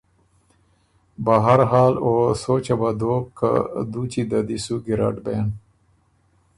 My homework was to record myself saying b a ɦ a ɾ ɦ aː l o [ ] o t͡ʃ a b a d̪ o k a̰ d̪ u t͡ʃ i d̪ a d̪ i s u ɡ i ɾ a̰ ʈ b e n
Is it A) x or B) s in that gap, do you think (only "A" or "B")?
B